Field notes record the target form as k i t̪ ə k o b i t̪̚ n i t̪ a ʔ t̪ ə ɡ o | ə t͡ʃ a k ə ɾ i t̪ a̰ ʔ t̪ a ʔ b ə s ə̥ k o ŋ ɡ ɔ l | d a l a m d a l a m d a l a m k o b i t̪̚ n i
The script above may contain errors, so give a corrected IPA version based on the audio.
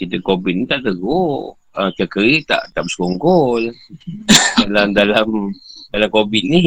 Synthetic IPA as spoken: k i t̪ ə k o b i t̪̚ n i t̪ a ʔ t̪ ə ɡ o | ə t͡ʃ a k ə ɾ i t̪ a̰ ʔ t̪ a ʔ b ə s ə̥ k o ŋ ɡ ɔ l | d a l a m d a l a m d a l a m k o b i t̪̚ n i